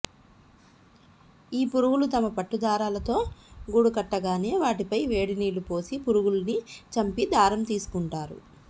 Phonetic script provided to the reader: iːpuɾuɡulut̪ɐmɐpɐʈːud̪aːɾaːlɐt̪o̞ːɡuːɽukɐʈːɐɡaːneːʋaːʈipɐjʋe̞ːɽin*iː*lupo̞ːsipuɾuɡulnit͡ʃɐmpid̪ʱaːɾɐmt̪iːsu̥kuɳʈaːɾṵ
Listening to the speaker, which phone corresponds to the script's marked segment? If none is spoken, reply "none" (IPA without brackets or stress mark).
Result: iː